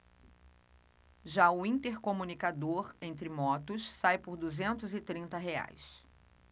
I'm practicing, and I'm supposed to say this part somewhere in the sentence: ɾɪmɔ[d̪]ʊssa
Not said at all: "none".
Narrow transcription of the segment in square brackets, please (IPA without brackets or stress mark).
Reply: t̪